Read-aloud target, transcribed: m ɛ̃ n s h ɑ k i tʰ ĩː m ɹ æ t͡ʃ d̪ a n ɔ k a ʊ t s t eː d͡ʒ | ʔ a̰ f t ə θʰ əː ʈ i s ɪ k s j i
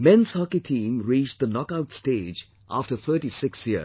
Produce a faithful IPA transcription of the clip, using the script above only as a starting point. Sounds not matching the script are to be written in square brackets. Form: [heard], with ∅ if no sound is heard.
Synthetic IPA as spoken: m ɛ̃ n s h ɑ k i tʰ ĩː m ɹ [i] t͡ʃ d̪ [ə] n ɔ k a ʊ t s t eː d͡ʒ | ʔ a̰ f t ə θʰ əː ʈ i s ɪ k s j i